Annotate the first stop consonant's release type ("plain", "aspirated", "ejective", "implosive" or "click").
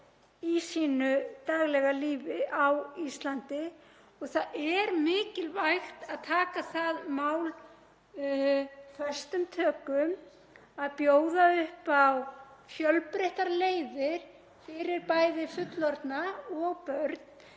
plain